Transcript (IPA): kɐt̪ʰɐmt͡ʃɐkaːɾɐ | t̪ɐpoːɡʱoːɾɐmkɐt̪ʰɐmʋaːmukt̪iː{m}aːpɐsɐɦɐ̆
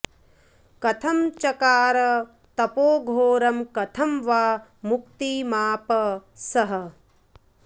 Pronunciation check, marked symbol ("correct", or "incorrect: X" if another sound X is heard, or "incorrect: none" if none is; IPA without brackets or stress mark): correct